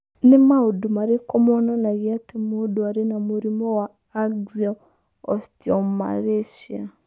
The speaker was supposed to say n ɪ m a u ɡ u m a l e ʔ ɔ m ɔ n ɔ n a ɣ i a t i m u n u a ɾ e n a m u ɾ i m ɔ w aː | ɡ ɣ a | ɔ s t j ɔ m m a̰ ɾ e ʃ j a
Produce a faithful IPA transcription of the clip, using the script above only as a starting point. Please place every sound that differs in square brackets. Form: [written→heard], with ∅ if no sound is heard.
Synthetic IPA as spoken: n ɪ m a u [ɡ→d] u m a [l→ɾ] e [ʔ→k] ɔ m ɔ n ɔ n a ɣ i a t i m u [n→d] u a ɾ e n a m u ɾ i m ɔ w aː | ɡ [ɣ→z] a | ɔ s t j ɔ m m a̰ ɾ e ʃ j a